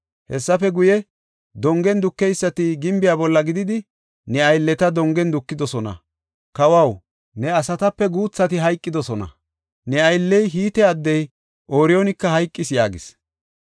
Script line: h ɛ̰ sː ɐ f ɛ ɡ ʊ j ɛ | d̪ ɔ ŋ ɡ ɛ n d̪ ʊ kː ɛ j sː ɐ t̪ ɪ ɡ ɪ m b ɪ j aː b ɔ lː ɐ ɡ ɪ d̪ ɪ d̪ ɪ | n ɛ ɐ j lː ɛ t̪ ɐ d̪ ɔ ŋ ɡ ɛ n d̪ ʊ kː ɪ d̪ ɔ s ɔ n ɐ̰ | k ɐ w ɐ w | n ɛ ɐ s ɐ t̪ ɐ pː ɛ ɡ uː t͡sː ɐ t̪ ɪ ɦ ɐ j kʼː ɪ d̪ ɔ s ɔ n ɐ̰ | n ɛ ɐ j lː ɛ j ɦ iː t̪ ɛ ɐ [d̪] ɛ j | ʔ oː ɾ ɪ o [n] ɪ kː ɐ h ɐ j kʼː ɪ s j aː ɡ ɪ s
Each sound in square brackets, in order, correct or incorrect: incorrect, correct

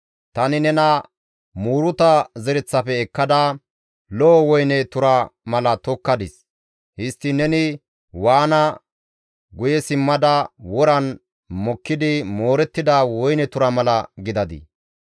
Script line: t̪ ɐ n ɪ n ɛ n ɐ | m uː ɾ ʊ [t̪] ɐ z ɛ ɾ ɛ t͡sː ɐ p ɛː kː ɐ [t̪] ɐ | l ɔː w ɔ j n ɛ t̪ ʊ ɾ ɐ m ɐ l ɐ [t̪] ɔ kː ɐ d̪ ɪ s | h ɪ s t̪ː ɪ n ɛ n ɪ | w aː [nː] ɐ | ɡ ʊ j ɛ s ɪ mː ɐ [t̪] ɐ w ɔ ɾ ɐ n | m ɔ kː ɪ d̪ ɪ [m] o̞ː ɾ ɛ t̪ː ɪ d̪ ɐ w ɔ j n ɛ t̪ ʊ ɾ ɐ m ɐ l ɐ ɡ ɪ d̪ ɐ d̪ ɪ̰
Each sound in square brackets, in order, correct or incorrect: correct, incorrect, correct, incorrect, incorrect, correct

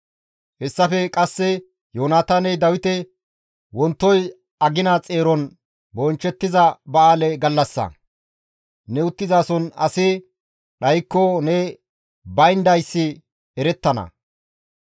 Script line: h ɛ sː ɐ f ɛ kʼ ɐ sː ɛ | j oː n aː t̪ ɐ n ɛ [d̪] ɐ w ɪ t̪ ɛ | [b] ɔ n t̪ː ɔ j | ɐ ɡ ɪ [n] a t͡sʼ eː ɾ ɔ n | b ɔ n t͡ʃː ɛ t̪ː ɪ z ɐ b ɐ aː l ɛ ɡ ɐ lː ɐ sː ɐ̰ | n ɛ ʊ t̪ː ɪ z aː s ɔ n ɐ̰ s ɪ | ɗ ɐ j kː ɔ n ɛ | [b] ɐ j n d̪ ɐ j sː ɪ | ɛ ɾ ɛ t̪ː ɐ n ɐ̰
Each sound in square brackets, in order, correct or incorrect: correct, incorrect, correct, correct

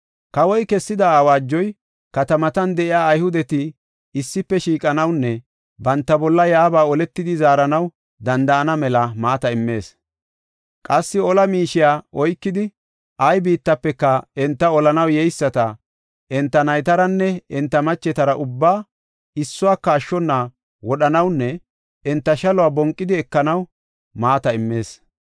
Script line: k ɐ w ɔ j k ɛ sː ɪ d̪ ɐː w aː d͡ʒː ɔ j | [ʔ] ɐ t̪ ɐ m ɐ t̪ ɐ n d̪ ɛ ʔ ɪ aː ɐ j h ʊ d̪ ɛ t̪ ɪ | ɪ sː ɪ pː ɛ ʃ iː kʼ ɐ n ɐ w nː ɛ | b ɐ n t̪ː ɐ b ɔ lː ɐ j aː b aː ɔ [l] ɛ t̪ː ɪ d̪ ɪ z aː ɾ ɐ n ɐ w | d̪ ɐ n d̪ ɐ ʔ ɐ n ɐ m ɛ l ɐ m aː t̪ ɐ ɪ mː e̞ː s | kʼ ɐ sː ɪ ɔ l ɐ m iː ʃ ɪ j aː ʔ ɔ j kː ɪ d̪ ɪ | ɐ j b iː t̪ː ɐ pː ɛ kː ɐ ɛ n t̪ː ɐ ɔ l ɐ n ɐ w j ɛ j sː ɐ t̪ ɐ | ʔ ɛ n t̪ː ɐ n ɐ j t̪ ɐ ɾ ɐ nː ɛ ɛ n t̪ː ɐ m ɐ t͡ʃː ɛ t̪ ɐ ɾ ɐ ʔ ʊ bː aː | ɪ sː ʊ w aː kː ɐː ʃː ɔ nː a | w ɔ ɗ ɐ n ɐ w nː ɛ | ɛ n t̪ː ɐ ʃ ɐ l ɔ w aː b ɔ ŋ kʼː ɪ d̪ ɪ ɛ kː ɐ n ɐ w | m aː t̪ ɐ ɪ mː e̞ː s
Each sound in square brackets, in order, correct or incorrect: incorrect, correct

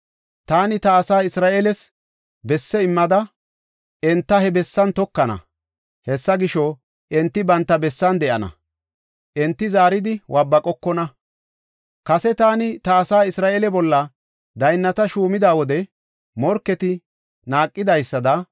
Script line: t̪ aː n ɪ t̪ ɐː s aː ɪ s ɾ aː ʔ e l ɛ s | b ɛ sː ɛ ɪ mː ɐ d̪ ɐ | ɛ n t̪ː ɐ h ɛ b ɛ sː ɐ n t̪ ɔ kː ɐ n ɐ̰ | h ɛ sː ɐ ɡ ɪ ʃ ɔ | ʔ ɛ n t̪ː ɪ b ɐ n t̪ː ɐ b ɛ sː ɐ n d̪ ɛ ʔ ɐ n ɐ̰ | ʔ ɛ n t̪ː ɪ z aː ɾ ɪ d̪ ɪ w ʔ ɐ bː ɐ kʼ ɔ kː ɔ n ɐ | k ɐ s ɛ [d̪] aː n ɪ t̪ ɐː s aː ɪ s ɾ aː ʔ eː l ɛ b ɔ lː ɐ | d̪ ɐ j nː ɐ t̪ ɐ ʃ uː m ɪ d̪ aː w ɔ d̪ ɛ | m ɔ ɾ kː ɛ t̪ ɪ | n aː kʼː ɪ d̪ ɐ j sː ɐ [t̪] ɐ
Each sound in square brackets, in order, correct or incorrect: incorrect, incorrect

